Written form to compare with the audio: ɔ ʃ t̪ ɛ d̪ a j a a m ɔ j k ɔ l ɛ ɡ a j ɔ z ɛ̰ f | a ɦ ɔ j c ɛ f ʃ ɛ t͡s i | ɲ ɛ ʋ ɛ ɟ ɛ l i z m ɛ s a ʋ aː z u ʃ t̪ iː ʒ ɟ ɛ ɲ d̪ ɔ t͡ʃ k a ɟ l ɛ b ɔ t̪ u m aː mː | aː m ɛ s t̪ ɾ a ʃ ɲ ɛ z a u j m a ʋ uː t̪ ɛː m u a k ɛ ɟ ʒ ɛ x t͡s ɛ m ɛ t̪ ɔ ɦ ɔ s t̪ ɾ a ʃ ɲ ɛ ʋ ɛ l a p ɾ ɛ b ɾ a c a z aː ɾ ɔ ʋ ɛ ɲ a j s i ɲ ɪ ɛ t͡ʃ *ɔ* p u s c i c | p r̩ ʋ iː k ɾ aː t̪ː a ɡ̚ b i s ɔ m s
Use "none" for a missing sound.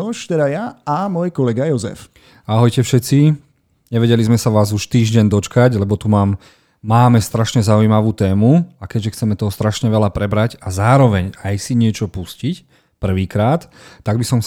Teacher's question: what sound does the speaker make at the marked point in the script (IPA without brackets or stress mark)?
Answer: ɔ